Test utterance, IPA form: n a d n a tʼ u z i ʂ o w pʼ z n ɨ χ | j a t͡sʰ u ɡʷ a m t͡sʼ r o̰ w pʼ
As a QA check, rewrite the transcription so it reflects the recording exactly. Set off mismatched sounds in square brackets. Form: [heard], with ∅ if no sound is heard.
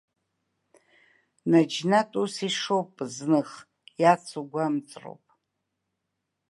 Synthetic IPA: n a [d͡ʒ] n a tʼ u [s] i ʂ o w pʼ z n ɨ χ | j a t͡sʰ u ɡʷ a m t͡sʼ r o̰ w pʼ